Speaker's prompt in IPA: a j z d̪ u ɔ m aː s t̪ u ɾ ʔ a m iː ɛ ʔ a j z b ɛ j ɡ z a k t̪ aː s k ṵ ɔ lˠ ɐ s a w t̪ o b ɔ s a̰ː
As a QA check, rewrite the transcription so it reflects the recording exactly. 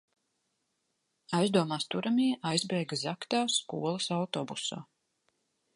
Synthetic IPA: a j z d̪ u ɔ m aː s t̪ u ɾ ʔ a m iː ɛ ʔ a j z b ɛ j ɡ z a k t̪ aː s k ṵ ɔ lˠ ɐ s a w t̪ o b u s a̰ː